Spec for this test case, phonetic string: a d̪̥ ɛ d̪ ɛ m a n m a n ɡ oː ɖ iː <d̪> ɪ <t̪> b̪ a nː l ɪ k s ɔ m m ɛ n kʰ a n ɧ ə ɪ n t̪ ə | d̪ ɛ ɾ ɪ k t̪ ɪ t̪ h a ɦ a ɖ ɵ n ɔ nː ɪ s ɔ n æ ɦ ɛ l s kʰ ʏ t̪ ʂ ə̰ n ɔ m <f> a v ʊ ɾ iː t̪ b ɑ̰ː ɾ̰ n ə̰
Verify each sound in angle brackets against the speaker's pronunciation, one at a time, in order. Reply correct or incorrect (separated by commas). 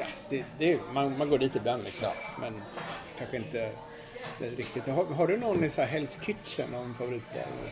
incorrect, incorrect, correct